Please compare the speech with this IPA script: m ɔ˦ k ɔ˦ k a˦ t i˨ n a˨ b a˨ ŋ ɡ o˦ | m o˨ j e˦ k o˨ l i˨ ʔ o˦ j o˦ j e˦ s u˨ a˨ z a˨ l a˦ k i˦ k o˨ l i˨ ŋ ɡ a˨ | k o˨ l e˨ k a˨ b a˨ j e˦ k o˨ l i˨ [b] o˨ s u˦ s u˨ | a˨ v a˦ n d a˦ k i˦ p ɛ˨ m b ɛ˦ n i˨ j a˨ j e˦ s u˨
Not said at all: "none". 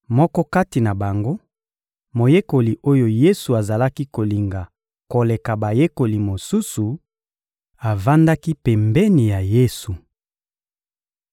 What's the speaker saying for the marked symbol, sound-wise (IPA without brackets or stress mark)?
m